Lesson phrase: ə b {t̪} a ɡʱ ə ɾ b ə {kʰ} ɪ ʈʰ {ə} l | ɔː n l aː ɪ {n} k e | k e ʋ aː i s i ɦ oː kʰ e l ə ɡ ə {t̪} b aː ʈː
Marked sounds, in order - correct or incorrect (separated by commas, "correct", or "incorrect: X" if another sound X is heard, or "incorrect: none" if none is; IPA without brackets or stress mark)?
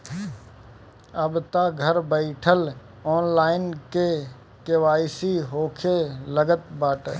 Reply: correct, incorrect: none, correct, correct, correct